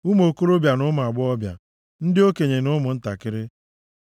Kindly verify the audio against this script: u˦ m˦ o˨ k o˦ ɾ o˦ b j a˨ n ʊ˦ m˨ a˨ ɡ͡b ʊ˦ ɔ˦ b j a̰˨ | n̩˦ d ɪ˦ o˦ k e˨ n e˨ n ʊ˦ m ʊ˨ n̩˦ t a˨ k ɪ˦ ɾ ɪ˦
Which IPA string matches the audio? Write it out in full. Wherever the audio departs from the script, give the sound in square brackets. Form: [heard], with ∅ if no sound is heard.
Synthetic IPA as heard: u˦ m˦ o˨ k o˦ ɾ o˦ b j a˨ n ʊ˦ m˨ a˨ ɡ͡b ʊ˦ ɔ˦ b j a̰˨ | n̩˦ d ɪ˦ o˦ k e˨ [ɲ] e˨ n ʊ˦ m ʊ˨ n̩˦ t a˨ k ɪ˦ ɾ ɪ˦